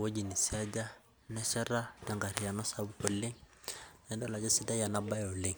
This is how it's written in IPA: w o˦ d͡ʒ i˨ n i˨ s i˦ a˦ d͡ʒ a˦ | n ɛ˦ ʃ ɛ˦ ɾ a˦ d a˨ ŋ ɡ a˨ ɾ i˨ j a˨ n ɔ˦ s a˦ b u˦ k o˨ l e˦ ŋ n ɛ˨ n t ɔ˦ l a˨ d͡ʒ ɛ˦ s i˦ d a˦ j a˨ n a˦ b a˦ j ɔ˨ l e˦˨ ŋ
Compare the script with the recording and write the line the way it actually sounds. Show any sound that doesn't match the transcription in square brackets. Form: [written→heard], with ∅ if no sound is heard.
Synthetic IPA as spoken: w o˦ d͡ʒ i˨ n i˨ s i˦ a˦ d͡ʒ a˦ | n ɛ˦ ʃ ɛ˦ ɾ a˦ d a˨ ŋ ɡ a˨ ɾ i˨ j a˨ n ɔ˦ s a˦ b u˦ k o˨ l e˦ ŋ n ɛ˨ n [t→d] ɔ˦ l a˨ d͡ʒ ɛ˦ s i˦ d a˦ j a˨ n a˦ b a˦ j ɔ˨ l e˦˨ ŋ